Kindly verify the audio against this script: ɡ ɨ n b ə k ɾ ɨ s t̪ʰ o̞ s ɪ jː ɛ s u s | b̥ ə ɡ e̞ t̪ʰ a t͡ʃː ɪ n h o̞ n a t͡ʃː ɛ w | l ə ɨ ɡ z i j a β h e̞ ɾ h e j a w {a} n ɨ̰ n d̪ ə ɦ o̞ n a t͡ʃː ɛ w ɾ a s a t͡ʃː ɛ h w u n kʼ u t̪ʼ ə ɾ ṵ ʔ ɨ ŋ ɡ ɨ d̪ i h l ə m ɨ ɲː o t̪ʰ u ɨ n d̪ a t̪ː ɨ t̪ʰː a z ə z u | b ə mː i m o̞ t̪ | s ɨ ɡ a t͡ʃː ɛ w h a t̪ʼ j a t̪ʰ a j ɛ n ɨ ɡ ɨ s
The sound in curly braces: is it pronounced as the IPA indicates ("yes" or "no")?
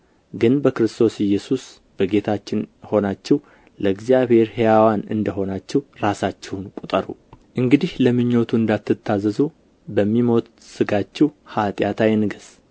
yes